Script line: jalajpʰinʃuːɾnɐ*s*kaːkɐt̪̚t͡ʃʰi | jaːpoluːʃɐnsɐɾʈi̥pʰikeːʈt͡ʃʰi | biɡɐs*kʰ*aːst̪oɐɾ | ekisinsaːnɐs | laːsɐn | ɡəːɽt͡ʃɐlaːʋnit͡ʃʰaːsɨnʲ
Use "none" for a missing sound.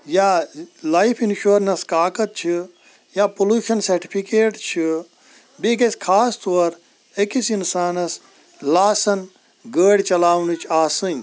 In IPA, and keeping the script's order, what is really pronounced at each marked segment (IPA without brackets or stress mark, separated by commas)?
s, kʰ